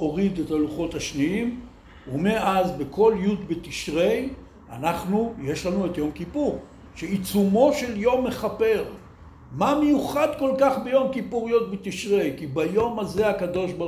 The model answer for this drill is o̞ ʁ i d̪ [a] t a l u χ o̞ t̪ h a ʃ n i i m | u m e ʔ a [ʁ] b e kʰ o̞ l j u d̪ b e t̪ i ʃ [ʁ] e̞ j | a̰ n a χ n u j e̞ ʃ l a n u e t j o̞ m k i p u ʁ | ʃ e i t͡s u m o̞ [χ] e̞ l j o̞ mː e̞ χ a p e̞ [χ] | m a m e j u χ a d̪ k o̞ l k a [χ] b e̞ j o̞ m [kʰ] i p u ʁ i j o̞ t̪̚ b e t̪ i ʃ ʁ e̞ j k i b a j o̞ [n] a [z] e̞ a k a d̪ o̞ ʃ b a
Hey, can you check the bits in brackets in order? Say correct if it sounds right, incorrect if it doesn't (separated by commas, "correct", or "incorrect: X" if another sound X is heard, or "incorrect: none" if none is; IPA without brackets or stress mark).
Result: incorrect: e, incorrect: z, correct, incorrect: ʃ, incorrect: ʁ, correct, incorrect: k, incorrect: m, correct